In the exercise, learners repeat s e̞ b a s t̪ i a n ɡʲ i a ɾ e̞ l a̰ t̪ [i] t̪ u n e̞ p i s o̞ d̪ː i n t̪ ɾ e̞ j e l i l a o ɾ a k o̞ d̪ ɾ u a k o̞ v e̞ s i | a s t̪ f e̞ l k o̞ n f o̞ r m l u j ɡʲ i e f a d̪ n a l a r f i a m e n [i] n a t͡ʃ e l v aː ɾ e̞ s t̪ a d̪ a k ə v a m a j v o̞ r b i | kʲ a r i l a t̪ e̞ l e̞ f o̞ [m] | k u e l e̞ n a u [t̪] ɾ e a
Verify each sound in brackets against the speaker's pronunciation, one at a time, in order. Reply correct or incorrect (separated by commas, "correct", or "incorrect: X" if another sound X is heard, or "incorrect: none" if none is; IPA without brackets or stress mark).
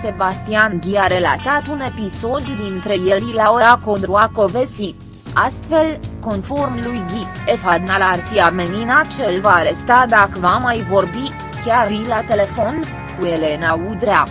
incorrect: a, correct, incorrect: n, incorrect: d̪